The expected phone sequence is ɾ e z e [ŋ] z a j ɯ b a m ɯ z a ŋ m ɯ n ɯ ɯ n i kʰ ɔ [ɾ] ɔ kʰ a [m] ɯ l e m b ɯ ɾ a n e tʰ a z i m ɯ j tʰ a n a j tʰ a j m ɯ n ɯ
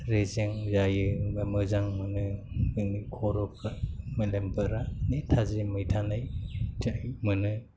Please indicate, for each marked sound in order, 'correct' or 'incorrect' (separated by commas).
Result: correct, correct, correct